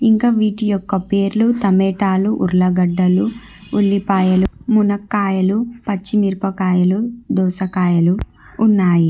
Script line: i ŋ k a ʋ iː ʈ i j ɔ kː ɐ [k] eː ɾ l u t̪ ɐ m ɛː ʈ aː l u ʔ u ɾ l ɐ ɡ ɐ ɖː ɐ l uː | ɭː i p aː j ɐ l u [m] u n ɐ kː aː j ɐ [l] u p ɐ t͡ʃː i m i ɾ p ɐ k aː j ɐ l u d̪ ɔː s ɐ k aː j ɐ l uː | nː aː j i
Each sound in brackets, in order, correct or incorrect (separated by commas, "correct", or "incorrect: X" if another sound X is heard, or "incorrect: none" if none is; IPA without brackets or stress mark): incorrect: p, correct, correct